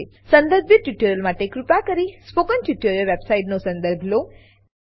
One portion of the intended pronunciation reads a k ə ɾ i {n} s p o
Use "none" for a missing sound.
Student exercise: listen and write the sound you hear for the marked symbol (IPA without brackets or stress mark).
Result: none